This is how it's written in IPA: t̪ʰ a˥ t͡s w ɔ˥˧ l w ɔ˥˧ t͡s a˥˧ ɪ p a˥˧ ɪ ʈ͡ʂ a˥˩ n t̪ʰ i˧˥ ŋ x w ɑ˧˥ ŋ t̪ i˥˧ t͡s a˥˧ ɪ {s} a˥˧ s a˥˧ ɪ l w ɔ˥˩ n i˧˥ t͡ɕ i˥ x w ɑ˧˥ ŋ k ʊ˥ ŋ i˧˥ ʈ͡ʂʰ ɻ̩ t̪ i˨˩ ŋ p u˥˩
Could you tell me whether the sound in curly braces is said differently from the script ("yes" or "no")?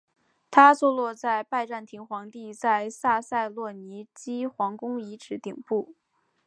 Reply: no